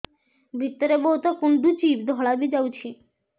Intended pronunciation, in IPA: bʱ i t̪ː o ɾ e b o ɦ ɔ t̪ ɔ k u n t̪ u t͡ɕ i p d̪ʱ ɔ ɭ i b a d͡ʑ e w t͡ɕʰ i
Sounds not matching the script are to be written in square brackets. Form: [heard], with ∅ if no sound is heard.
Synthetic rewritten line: bʱ i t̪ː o ɾ e b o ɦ [u] t̪ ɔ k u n [d̪] u t͡ɕ i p d̪ʱ ɔ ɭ [a] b [i] d͡ʑ [a] w t͡ɕʰ i